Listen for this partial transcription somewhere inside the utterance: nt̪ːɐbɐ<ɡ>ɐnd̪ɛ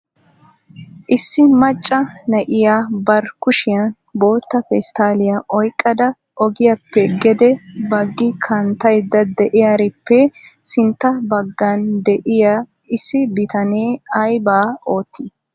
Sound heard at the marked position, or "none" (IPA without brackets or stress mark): ɡː